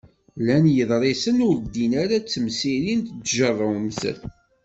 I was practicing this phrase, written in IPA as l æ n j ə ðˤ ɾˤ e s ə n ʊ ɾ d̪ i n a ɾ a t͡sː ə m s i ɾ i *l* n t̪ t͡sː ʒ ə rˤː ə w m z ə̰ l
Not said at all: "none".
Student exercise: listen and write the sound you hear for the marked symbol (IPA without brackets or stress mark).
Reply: none